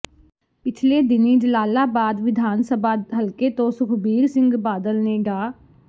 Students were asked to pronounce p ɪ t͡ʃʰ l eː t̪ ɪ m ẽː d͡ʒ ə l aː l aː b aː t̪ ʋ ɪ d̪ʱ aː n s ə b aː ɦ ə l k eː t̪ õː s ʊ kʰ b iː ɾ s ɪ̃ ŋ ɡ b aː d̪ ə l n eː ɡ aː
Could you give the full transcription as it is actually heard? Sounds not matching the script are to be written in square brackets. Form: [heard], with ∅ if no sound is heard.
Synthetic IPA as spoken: p ɪ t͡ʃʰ l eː [d̪] ɪ [n] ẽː d͡ʒ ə l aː l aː b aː [d̪] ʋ ɪ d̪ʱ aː n s ə b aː ɦ ə l k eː t̪ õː s ʊ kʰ b iː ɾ s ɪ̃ ŋ ɡ b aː d̪ ə l n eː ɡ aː